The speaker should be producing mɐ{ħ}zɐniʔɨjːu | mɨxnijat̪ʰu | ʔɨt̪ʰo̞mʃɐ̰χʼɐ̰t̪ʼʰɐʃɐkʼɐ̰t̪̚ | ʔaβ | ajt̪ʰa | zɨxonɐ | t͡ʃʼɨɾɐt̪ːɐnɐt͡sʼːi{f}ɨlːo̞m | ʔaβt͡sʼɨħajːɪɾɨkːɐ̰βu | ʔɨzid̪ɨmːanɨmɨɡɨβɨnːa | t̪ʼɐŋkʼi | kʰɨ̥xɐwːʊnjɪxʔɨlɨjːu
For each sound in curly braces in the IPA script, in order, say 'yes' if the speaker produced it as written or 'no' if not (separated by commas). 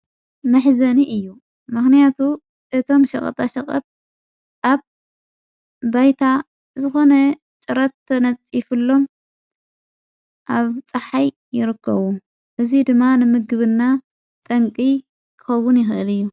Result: yes, yes